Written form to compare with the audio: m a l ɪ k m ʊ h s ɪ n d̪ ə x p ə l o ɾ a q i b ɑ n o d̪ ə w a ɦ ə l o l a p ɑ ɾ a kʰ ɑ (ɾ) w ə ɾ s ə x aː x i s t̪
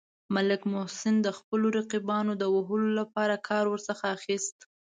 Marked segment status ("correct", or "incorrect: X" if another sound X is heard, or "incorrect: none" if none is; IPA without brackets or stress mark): correct